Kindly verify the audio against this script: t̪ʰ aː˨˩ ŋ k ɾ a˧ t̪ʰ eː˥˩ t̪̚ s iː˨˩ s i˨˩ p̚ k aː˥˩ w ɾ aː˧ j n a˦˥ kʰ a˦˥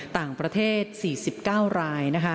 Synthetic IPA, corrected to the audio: t̪ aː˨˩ ŋ p ɾ a˧ t̪ʰ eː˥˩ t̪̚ s iː˨˩ s i˨˩ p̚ k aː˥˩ w ɾ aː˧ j n a˦˥ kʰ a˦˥